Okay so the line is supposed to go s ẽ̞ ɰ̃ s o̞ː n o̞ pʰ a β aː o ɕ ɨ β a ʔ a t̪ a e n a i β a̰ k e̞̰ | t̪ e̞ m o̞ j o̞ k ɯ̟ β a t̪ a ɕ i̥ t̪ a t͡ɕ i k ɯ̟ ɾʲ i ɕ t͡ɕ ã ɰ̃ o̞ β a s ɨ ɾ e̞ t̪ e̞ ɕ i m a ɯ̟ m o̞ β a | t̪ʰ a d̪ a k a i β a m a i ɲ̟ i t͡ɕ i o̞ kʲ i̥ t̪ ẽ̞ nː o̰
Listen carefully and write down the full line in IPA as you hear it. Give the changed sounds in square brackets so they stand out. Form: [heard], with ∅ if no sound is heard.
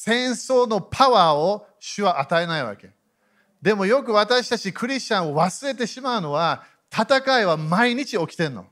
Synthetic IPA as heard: s ẽ̞ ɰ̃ s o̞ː n o̞ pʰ a β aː o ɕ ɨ β a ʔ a t̪ a e n a i β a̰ k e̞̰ | [d̪] e̞ m o̞ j o̞ k ɯ̟ β a t̪ a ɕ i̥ t̪ a t͡ɕ i k ɯ̟ ɾʲ i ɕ t͡ɕ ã ɰ̃ o̞ β a s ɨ ɾ e̞ t̪ e̞ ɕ i m a ɯ̟ [n] o̞ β a | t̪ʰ a [t̪] a k a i β a m a i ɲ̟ i t͡ɕ i o̞ kʲ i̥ t̪ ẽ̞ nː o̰